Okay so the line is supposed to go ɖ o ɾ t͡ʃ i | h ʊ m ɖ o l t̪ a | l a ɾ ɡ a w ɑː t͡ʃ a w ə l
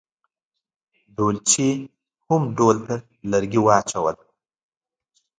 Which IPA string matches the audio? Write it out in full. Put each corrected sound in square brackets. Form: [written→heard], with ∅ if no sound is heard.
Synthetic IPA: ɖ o [ɾ→l] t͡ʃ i | h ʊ m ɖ o l t̪ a | l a ɾ ɡ [a→i] w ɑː t͡ʃ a w ə l

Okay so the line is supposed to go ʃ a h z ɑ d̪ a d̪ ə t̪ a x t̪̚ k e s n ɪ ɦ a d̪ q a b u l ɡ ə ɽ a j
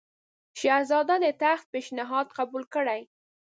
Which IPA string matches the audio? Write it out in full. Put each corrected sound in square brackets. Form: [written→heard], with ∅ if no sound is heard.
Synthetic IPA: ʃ a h z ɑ d̪ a d̪ ə t̪ a x t̪̚ [k→p] e [s→ʃ] n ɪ ɦ [a→ɑ] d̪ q a b u l [ɡ→k] ə ɽ a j

